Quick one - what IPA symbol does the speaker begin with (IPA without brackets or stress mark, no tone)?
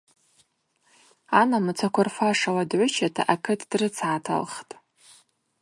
a